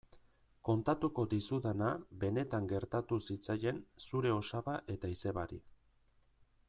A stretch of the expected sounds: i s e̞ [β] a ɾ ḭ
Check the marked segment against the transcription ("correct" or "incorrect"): correct